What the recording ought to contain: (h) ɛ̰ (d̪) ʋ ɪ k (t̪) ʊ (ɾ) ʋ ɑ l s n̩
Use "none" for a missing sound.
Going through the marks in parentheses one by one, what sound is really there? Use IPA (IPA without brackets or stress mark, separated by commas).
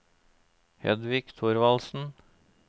h, d̪, t̪ʰ, ɾ